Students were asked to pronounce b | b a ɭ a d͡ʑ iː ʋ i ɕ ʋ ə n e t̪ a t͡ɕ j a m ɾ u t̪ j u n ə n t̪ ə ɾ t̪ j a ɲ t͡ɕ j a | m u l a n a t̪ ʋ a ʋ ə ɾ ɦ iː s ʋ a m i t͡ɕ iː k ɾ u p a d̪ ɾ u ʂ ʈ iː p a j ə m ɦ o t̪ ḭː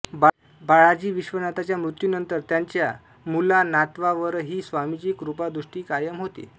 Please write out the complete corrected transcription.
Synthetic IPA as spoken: b | b a ɭ a d͡ʑ iː ʋ i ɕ ʋ ə n a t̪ a t͡ɕ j a m ɾ u t̪ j u n ə n t̪ ə ɾ t̪ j a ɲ t͡ɕ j a | m u l a n a t̪ ʋ a ʋ ə ɾ ɦ iː s ʋ a m i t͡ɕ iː k ɾ u p a d̪ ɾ u ʂ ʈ iː k a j ə m ɦ o t̪ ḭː